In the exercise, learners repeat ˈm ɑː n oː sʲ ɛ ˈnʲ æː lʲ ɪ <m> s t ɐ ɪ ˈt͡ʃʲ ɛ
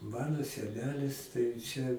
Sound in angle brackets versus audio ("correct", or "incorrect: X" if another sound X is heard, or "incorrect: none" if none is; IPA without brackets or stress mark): incorrect: none